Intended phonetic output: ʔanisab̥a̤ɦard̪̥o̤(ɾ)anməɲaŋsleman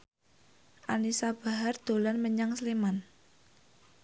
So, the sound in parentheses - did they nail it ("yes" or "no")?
no